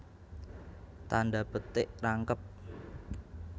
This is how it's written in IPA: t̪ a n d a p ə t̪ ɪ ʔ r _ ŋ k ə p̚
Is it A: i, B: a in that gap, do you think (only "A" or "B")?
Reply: B